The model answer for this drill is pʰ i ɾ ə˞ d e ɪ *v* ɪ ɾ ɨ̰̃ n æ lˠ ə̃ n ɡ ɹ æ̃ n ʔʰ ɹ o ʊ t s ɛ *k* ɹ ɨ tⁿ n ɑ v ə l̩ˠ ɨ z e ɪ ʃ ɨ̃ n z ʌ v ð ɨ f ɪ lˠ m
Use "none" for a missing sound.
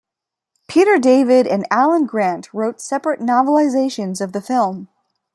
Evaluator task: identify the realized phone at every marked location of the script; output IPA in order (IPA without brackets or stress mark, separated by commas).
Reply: v, p